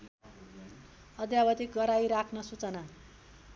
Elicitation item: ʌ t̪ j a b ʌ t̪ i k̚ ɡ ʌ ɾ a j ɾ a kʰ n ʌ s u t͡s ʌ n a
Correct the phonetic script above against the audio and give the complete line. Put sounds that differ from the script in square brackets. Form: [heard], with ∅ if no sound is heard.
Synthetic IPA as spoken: ʌ [d̪] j a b ʌ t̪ i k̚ ɡ ʌ ɾ a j ɾ a kʰ n ʌ s u t͡s ʌ n a